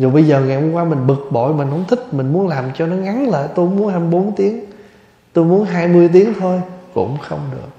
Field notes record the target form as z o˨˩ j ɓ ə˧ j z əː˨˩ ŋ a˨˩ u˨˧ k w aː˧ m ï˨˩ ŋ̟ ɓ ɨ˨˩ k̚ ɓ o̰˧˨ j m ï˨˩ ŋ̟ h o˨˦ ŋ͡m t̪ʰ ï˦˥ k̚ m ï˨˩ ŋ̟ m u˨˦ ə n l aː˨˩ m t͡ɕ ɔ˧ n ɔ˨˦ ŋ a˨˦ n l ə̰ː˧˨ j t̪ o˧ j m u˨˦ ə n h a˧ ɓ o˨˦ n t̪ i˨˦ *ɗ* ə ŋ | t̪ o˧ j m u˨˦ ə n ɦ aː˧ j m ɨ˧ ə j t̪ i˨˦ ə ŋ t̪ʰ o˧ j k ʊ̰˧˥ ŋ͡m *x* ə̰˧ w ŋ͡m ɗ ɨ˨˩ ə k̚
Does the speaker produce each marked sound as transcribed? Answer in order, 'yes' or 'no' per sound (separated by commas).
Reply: no, yes